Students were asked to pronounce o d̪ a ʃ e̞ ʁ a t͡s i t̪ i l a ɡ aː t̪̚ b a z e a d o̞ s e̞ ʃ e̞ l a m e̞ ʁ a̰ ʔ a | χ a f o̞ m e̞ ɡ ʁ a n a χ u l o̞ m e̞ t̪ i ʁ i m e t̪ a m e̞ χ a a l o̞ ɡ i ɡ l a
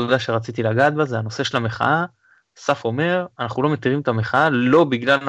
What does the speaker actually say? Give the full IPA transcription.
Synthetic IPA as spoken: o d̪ a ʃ e̞ ʁ a t͡s i t̪ i l a ɡ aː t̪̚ b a z e a n o̞ s e̞ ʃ e̞ l a m e̞ χ a̰ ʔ a | s a f o̞ m e̞ ʁ a n a χ u l o̞ m e̞ t̪ i ʁ i m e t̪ a m e̞ χ a a l o̞ b i ɡ l a